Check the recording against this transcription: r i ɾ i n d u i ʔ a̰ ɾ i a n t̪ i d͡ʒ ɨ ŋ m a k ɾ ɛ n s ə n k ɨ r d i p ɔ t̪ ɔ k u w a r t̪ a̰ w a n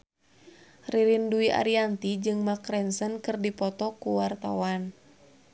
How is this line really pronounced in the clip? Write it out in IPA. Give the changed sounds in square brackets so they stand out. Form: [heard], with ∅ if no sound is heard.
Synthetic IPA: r i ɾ i n d u i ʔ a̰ ɾ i a n t̪ i d͡ʒ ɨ ŋ m a k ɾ ɛ n s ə n k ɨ r d i p ɔ t̪ ɔ k u w a r t̪ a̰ w a n